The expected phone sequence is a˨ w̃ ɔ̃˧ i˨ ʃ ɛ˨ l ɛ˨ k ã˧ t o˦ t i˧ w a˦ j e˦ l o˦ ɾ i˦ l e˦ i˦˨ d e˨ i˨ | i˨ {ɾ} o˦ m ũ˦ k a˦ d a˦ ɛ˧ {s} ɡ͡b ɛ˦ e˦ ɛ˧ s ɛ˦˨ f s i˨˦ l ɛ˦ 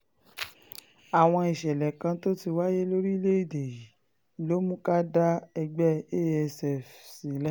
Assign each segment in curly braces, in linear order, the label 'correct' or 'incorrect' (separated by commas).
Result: incorrect, incorrect